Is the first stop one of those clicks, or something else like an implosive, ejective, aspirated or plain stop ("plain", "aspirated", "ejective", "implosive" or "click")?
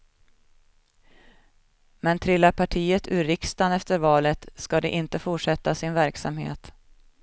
aspirated